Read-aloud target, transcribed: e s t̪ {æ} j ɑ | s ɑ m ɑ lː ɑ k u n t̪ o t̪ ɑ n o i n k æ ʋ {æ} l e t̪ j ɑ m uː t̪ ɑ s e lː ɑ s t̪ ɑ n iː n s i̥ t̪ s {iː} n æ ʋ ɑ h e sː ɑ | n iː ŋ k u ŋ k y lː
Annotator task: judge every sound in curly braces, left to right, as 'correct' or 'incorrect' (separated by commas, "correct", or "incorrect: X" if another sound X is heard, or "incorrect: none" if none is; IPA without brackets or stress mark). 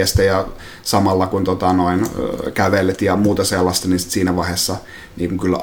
correct, incorrect: e, correct